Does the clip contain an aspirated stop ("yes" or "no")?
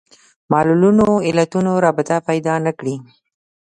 no